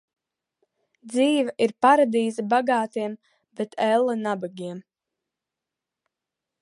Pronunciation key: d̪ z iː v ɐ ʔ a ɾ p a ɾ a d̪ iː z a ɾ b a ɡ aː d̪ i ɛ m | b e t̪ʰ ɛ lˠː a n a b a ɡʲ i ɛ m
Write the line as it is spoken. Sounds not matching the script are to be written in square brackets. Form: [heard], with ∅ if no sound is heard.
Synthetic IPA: d̪ z iː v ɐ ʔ [i] ɾ p a ɾ a d̪ iː z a [∅] b a ɡ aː [t̪] i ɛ m | b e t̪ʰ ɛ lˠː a n a b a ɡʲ i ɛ m